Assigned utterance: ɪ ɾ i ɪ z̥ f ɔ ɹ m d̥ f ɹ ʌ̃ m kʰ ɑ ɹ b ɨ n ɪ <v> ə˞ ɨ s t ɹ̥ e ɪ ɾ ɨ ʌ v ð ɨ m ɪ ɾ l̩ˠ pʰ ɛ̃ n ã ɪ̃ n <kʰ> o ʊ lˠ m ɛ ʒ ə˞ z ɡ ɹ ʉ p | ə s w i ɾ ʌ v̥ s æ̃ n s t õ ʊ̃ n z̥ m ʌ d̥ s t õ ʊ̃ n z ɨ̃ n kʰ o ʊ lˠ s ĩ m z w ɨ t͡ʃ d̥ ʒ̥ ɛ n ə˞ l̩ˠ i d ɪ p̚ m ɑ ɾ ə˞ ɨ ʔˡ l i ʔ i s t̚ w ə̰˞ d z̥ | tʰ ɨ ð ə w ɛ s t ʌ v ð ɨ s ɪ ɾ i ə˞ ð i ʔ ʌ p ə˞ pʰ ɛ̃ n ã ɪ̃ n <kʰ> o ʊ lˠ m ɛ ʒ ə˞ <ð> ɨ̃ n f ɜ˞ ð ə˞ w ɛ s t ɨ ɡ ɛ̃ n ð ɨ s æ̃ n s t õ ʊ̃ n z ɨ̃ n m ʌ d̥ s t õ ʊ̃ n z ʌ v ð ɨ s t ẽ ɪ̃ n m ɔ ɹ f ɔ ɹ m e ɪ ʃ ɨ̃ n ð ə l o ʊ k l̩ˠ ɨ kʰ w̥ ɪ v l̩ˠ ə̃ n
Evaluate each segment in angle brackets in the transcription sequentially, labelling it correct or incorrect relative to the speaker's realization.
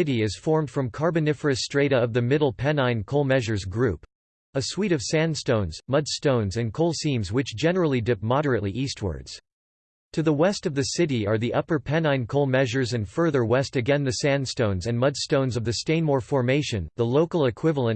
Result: incorrect: f, correct, correct, incorrect: z

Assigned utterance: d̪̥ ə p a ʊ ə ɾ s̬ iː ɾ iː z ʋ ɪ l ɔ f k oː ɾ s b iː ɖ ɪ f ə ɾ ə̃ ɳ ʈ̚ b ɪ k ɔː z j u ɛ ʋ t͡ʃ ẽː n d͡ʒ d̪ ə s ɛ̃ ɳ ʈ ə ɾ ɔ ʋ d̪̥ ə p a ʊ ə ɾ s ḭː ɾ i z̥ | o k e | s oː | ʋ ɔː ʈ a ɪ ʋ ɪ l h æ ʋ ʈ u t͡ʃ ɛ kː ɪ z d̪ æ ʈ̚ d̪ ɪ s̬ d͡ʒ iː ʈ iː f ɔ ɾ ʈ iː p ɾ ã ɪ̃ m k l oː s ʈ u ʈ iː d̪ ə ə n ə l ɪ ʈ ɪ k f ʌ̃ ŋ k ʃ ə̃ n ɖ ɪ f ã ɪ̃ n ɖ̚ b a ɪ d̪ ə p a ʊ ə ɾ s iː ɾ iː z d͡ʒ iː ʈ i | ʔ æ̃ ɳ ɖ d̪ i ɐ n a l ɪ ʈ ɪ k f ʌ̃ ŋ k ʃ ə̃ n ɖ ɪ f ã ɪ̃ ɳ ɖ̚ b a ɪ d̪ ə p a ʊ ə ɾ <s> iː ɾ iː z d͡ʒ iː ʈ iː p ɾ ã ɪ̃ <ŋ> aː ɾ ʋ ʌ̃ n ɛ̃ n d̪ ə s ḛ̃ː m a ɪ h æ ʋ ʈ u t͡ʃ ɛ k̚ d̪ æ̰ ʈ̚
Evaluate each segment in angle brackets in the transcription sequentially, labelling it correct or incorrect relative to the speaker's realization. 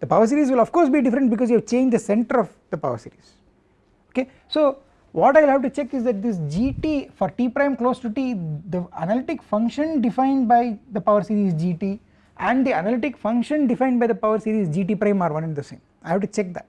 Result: correct, incorrect: m

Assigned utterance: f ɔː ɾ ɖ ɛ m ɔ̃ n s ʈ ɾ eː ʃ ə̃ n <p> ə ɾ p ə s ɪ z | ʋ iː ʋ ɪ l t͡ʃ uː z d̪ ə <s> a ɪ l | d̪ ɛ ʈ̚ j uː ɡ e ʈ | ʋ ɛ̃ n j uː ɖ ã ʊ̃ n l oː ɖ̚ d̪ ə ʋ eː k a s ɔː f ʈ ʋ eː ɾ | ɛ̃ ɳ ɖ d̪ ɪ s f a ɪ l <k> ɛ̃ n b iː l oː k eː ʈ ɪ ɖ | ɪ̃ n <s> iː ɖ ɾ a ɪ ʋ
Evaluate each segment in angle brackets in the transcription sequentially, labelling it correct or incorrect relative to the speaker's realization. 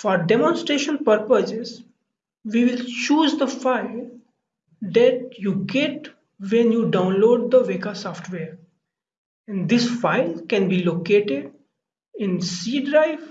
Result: correct, incorrect: f, correct, correct

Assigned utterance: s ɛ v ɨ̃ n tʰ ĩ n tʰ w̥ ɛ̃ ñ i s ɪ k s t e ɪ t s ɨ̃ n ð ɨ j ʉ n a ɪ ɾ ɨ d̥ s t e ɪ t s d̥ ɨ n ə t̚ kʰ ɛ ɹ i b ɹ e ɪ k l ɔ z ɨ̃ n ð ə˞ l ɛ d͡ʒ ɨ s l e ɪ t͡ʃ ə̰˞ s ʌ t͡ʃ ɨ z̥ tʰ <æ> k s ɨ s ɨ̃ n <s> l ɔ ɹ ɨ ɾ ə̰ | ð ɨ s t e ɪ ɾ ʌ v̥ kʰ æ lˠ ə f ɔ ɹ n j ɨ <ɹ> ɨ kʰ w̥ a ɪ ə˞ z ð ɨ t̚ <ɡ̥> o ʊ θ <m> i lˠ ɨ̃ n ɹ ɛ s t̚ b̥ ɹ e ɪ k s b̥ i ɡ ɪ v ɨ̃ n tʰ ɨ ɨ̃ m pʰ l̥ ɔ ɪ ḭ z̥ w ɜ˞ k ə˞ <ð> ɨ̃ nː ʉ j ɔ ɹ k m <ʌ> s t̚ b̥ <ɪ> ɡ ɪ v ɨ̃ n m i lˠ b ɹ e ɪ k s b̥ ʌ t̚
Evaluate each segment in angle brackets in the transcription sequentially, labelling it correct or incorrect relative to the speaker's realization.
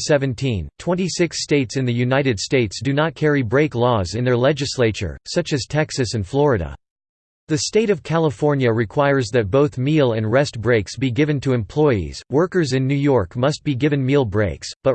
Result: incorrect: ɛ, incorrect: f, correct, incorrect: b̥, correct, incorrect: z, correct, incorrect: i

